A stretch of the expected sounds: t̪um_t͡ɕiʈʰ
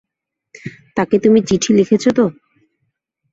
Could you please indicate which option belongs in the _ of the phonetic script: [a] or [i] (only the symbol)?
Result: i